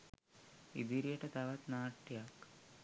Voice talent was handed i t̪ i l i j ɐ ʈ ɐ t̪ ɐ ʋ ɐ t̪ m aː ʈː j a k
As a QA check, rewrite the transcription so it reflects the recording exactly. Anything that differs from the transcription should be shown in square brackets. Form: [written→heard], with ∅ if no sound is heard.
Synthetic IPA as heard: i [t̪→d̪] i [l→ɾ] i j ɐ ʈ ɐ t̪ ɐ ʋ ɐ t̪ [m→n] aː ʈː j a k